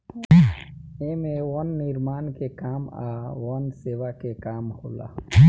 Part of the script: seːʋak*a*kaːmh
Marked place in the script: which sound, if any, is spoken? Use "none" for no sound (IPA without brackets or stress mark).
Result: e